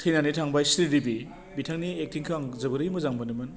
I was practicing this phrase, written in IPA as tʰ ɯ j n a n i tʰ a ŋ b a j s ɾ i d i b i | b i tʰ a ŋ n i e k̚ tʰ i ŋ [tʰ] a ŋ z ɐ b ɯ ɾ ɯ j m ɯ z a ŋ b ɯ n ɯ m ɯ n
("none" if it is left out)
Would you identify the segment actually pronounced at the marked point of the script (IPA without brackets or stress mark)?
kʰ